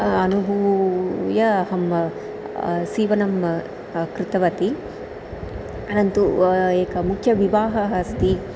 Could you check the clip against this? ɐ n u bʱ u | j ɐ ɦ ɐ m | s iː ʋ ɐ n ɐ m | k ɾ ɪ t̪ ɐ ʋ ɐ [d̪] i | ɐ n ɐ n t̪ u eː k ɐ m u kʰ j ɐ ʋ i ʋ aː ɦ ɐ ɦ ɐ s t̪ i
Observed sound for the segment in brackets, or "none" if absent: t̪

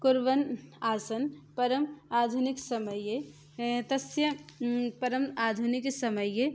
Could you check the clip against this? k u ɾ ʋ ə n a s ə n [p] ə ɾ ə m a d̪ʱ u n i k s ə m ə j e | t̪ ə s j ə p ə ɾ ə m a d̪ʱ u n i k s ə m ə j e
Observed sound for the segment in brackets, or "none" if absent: p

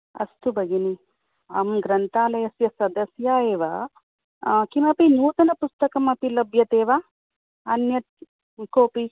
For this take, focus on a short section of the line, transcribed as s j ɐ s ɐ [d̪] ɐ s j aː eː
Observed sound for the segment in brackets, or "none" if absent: d̪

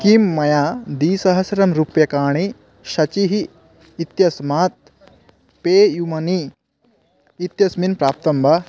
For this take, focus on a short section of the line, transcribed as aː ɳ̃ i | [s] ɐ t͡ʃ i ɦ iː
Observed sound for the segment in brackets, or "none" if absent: ʃ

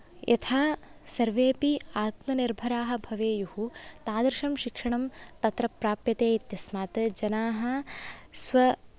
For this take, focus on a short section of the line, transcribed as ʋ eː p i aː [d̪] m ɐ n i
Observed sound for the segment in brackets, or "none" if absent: t̪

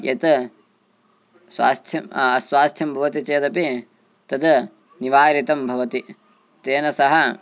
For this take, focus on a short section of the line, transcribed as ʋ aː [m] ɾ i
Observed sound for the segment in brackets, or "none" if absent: none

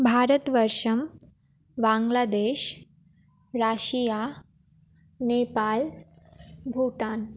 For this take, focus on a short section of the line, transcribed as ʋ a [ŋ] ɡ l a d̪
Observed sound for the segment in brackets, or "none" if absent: ŋ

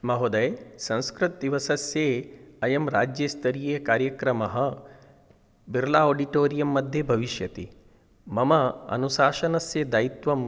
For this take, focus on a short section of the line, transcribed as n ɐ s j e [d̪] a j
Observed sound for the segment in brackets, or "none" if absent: d̪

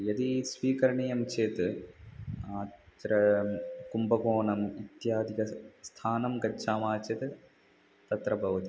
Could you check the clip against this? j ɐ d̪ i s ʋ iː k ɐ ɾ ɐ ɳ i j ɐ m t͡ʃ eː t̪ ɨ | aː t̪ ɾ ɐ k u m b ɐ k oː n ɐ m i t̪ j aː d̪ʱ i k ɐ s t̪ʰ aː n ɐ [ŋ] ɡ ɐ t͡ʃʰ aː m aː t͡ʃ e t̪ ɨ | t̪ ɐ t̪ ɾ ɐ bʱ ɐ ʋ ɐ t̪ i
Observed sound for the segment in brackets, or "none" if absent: m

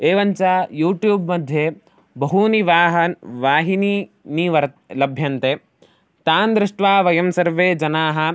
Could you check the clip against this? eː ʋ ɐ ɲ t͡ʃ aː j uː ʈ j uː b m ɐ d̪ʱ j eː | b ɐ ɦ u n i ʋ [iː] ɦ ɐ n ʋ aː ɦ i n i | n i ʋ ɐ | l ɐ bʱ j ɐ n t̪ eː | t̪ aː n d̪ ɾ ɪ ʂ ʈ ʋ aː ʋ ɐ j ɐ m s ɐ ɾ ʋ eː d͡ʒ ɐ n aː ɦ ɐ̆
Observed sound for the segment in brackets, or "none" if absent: aː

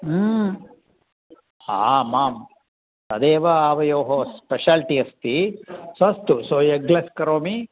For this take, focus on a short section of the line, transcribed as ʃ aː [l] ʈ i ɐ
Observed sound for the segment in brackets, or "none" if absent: l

